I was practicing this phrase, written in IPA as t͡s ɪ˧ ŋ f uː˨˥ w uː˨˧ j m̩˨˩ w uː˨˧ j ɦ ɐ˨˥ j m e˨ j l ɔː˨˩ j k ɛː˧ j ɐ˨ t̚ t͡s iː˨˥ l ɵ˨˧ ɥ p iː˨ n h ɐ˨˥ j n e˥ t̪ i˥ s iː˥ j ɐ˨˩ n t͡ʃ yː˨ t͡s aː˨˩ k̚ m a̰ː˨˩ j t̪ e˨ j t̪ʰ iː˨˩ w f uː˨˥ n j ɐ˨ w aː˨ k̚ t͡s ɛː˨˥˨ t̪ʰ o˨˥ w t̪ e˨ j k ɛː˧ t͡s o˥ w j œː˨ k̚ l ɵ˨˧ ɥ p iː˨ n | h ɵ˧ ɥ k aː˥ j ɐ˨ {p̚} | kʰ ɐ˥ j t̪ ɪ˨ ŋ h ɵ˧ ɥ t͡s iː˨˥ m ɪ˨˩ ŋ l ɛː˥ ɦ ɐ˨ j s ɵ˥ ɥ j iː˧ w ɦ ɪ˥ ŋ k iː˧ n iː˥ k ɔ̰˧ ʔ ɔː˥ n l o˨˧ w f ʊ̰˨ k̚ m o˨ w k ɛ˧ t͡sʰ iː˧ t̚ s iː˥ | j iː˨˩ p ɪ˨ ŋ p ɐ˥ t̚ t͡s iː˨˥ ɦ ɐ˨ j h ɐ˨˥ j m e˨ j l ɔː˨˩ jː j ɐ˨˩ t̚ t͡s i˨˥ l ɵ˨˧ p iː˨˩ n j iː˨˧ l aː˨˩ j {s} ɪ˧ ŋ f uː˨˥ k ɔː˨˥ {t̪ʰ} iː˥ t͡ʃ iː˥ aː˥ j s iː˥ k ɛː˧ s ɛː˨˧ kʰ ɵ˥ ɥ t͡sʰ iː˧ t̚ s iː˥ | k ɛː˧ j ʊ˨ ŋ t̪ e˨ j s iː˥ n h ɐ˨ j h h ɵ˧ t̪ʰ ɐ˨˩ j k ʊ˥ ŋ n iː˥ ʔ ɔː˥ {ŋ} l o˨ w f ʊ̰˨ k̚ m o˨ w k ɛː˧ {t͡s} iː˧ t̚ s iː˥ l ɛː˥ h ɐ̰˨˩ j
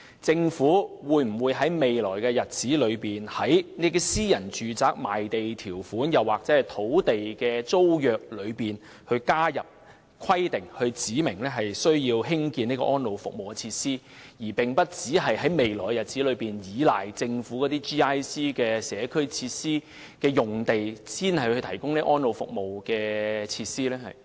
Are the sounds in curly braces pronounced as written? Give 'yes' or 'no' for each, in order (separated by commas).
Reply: yes, no, no, no, no